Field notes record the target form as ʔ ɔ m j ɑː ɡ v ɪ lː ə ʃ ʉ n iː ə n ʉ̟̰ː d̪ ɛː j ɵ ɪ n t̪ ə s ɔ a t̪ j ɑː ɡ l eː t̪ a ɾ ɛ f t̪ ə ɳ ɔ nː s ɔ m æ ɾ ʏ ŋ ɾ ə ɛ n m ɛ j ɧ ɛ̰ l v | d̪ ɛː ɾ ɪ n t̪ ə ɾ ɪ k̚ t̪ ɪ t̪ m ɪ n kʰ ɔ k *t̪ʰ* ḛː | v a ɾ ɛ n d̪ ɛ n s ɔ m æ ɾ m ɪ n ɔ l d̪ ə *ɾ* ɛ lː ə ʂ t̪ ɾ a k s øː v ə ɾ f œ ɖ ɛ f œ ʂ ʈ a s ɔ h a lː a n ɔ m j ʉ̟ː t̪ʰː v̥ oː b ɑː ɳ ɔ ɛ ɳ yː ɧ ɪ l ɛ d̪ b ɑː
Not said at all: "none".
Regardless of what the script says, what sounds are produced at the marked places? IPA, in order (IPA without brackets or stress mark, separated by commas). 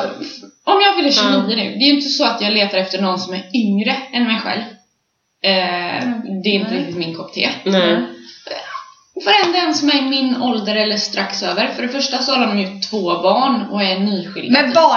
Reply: t̪ʰ, ɾ